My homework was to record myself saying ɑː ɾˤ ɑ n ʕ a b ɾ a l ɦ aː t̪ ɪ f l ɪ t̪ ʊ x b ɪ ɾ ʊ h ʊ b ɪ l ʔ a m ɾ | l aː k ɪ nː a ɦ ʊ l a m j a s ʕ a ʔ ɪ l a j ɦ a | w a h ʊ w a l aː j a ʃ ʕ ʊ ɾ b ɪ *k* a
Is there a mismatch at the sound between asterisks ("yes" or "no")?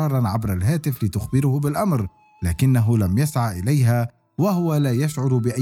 yes